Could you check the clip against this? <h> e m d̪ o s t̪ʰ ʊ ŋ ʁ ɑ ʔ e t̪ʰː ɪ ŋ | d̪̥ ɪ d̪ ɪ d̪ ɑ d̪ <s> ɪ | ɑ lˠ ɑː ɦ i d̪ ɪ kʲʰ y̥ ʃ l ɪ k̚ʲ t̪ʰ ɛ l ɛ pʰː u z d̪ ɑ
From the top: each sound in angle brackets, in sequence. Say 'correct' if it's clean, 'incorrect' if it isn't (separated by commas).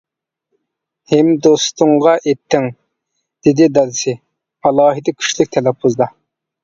correct, correct